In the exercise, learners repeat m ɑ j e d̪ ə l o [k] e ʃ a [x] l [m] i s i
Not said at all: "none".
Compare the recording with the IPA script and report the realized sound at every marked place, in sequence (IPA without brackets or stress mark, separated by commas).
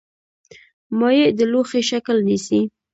x, k, n